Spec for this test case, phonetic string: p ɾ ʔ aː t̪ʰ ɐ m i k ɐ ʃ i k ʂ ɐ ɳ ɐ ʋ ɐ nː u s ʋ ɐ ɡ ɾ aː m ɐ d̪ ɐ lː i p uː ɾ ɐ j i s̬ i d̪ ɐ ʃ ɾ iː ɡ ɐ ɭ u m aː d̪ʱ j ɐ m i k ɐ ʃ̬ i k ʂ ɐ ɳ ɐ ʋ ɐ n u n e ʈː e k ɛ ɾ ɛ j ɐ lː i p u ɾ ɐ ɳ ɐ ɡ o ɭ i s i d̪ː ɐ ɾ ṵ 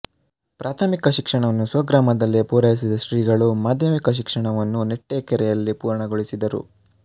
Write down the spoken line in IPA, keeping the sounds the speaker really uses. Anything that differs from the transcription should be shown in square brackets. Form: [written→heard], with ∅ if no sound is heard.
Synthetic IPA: p ɾ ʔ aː t̪ʰ ɐ m i k ɐ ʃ i k ʂ ɐ ɳ ɐ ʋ ɐ nː u s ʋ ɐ ɡ ɾ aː m ɐ d̪ ɐ lː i p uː ɾ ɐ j i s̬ i d̪ ɐ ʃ ɾ iː ɡ ɐ ɭ u m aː d̪ʱ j ɐ m i k ɐ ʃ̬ i k ʂ ɐ ɳ ɐ ʋ ɐ [n→nː] u n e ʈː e k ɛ ɾ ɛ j ɐ lː i p [u→uː] ɾ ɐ ɳ ɐ ɡ o ɭ i s i [d̪ː→d̪] ɐ ɾ ṵ

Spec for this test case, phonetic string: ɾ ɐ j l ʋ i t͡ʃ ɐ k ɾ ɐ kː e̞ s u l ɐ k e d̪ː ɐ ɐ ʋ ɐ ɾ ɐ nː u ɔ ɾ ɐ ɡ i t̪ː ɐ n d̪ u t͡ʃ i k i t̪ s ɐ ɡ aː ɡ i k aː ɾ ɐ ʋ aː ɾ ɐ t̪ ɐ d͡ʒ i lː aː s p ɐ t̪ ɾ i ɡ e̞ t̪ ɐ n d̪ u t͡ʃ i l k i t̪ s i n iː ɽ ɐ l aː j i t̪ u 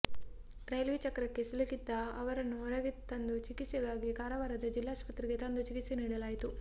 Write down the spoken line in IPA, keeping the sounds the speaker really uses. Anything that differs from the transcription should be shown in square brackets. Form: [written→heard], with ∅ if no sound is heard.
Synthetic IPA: ɾ ɐ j l ʋ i t͡ʃ ɐ k ɾ ɐ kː e̞ s u l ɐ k [e→i] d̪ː ɐ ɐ ʋ ɐ ɾ ɐ nː u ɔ ɾ ɐ ɡ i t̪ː ɐ n d̪ u t͡ʃ i k i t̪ s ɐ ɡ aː ɡ i k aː ɾ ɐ ʋ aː ɾ ɐ [t̪→d̪] ɐ d͡ʒ i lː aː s p ɐ t̪ ɾ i ɡ e̞ t̪ ɐ n d̪ u t͡ʃ i [l→∅] k i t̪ s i n iː ɽ ɐ l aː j i t̪ u

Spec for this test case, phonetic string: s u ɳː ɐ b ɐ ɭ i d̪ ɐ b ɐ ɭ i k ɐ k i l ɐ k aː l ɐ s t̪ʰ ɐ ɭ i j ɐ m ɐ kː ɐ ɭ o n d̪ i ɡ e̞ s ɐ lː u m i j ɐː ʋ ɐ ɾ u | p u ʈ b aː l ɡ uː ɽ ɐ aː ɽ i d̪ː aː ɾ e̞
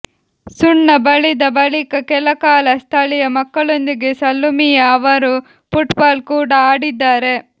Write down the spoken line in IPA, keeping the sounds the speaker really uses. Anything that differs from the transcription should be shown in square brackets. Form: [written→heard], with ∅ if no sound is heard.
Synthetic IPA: s u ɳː ɐ b ɐ ɭ i d̪ ɐ b ɐ ɭ i k ɐ k [i→ɛ] l ɐ k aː l ɐ s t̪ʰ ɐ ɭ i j ɐ m ɐ kː ɐ ɭ o n d̪ i ɡ e̞ s ɐ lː u m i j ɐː ʋ ɐ ɾ u | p u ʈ b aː l [ɡ→k] uː ɽ ɐ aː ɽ i d̪ː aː ɾ e̞

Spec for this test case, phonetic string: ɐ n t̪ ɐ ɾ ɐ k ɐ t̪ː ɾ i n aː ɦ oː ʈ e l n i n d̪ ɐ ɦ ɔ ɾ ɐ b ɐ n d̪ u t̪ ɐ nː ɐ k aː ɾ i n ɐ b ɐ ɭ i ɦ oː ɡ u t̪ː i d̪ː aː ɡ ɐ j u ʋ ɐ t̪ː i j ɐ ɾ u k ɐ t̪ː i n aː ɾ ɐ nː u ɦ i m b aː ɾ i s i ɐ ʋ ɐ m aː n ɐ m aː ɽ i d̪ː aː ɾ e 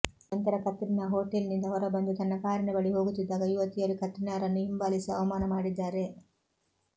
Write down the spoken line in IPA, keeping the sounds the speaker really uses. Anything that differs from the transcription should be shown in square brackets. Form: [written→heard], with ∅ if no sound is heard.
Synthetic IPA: ɐ n t̪ ɐ ɾ ɐ k ɐ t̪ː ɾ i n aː ɦ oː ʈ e l n i n d̪ ɐ ɦ ɔ ɾ ɐ b ɐ n d̪ u t̪ ɐ nː ɐ k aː ɾ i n ɐ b ɐ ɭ i ɦ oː ɡ u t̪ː i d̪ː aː ɡ ɐ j u ʋ ɐ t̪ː i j ɐ ɾ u k ɐ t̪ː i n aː ɾ ɐ nː u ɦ i m b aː [ɾ→l] i s i ɐ ʋ ɐ m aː n ɐ m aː ɽ i d̪ː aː ɾ e

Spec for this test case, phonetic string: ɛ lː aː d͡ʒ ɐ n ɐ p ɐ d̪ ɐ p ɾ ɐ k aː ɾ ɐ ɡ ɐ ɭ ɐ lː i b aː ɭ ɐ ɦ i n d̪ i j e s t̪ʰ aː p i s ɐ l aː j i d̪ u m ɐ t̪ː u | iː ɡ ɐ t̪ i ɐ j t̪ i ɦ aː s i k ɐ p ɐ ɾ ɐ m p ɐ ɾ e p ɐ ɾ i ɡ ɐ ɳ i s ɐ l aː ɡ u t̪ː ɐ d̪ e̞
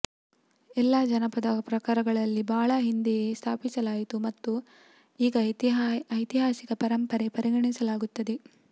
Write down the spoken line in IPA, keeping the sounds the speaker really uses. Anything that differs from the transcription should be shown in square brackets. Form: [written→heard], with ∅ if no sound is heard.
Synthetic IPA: ɛ lː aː d͡ʒ ɐ n ɐ p ɐ d̪ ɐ p ɾ ɐ k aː ɾ ɐ ɡ ɐ ɭ ɐ lː i b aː ɭ ɐ ɦ i n d̪ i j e s t̪ʰ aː p i s ɐ l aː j i [d̪→t̪] u m ɐ t̪ː u | iː ɡ ɐ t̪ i ɐ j t̪ i ɦ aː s i k ɐ p ɐ ɾ ɐ m p ɐ ɾ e p ɐ ɾ i ɡ ɐ ɳ i s ɐ l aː ɡ u t̪ː ɐ d̪ e̞

